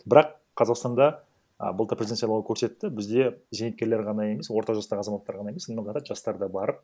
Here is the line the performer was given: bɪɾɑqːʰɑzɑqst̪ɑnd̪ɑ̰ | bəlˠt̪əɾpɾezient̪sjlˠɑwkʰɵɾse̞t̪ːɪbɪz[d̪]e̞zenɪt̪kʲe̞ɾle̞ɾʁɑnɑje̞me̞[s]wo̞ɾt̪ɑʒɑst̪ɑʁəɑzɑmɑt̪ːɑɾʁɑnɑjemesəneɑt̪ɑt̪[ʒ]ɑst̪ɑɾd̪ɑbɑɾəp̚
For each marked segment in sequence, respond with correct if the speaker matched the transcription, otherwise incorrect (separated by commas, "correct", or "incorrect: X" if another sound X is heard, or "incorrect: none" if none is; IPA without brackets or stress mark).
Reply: correct, correct, correct